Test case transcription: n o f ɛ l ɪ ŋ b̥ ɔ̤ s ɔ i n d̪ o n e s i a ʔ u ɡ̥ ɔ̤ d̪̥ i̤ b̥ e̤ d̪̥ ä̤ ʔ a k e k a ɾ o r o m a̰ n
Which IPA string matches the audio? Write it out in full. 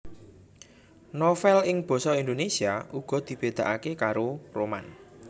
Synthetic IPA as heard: n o f ɛ l ɪ ŋ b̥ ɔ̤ s ɔ i n d̪ o n e s i a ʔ u ɡ̥ ɔ̤ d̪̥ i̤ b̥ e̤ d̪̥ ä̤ ʔ a k e k a ɾ o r o m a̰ n